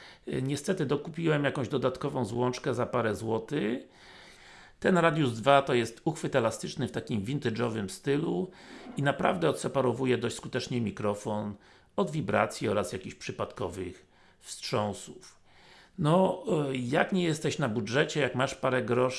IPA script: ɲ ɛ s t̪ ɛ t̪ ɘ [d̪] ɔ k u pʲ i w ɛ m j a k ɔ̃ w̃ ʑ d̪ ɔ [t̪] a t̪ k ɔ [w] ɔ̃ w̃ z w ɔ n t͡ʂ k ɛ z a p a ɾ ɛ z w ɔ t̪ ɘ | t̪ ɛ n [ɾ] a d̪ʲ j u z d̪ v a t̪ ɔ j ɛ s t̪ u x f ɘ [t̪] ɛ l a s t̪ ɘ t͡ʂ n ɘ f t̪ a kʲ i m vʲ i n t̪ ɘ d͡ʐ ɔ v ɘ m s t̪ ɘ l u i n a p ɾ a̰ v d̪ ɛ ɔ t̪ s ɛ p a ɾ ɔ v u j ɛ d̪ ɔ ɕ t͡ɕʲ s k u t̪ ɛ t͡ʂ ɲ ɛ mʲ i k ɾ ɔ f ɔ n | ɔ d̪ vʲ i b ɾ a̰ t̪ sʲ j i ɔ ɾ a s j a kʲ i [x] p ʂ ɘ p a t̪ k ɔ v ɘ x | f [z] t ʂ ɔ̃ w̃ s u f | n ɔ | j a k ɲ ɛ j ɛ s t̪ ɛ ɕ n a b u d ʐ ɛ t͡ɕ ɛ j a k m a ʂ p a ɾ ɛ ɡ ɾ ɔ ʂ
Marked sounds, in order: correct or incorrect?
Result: correct, incorrect, incorrect, correct, correct, incorrect, incorrect

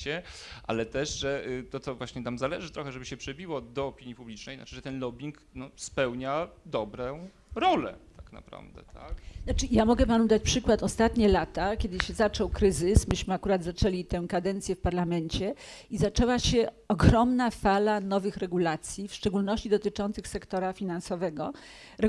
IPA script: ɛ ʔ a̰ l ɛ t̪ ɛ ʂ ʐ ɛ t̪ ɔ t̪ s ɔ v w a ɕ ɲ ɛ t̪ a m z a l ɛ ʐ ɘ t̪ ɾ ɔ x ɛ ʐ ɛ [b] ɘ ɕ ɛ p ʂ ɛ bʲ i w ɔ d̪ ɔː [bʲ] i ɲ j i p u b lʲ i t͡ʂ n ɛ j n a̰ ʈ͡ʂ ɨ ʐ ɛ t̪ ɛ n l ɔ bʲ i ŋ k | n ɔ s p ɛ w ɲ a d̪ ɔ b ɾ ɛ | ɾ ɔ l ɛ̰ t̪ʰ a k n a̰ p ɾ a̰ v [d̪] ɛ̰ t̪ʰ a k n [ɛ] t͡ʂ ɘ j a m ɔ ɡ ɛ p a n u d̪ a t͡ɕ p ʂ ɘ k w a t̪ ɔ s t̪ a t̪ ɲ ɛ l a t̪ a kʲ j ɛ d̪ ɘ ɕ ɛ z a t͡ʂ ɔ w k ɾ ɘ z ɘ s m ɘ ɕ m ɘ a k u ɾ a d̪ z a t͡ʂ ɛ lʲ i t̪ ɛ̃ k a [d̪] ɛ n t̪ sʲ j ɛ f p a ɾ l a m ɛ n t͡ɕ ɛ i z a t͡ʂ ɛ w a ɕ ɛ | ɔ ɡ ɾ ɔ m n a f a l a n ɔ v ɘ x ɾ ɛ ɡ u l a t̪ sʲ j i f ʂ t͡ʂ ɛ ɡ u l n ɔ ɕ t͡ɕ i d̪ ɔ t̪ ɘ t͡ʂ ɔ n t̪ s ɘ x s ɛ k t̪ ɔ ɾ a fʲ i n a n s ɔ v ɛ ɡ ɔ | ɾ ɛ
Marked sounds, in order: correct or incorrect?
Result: correct, incorrect, correct, incorrect, correct

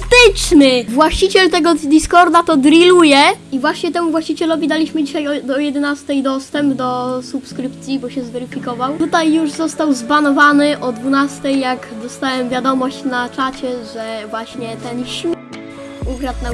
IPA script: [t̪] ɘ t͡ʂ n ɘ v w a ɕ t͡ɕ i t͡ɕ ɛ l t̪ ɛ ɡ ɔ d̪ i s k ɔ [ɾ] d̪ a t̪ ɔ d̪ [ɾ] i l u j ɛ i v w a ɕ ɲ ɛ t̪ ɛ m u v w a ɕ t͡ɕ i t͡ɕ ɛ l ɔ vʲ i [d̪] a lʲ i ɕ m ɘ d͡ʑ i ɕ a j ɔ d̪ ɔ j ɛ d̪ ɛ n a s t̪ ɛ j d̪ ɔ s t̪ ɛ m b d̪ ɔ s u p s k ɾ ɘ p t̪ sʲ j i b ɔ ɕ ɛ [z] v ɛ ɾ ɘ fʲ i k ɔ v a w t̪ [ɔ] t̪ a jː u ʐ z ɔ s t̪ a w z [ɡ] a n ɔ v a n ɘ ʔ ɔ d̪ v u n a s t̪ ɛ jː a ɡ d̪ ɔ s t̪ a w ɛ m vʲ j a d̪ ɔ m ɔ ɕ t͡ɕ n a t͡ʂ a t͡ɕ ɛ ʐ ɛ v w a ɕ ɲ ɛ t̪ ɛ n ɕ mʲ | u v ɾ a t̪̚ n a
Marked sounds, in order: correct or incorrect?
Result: correct, correct, correct, correct, correct, incorrect, incorrect

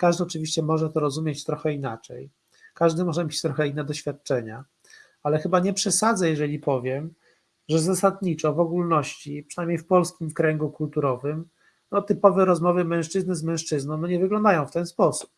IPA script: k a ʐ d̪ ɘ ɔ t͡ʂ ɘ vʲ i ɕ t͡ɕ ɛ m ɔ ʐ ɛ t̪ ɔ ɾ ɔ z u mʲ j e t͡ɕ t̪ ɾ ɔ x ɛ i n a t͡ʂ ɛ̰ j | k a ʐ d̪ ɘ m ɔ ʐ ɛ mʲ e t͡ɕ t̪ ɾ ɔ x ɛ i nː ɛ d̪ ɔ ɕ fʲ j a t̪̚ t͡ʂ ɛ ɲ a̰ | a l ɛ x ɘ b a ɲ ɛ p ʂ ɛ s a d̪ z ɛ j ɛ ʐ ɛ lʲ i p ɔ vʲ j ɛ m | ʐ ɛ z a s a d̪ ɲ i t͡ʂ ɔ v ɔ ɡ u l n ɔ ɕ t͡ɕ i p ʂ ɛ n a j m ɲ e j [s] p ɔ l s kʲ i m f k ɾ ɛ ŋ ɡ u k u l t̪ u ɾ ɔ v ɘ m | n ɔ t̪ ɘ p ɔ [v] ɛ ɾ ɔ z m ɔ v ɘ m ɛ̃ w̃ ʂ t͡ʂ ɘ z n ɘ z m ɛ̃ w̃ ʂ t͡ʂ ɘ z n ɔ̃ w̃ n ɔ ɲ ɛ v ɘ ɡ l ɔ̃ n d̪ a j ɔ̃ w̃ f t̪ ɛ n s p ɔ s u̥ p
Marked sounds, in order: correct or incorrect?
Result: incorrect, correct

